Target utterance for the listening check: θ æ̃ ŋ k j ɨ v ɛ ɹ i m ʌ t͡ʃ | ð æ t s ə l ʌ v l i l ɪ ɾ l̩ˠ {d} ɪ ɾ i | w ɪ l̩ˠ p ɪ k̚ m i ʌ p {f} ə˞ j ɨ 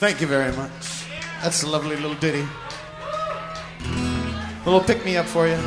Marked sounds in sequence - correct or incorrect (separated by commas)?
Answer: correct, correct